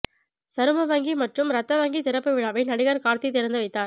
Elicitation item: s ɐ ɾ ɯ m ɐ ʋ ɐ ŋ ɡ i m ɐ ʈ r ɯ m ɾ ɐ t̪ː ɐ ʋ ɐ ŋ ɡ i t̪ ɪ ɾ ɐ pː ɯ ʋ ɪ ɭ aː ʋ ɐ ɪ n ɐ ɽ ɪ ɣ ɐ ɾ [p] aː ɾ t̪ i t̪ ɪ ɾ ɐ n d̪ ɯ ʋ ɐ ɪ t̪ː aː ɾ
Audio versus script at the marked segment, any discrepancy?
yes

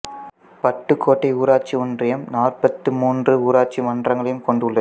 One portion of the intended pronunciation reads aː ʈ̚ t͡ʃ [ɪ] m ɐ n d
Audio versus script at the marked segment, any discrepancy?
yes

